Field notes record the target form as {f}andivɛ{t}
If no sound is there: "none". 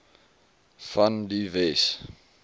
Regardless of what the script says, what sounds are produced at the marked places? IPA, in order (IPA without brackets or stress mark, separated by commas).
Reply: f, s